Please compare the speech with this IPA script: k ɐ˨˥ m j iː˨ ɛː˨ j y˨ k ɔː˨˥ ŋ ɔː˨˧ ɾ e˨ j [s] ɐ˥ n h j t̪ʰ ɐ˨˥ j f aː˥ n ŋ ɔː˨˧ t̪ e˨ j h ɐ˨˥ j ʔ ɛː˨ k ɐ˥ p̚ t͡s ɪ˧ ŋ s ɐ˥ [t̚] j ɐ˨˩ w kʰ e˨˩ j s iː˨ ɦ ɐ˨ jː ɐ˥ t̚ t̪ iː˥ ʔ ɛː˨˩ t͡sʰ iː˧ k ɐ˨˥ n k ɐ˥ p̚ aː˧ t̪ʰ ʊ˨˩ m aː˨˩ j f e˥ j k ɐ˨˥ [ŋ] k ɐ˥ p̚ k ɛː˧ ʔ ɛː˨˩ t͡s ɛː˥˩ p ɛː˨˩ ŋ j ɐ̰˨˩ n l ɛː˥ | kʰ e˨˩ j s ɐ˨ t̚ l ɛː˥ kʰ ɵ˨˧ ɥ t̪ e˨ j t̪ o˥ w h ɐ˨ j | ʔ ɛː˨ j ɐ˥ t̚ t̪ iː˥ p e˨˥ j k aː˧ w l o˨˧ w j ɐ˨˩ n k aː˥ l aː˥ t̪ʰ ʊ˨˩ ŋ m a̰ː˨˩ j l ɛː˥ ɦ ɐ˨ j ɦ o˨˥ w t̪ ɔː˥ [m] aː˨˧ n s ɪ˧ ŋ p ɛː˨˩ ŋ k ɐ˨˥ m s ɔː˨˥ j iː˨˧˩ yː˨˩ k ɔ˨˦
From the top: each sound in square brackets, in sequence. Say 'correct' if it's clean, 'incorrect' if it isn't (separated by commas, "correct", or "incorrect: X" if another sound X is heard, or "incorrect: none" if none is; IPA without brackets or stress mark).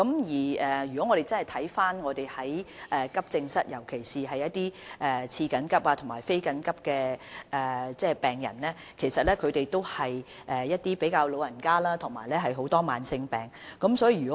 incorrect: t͡s, correct, incorrect: n, correct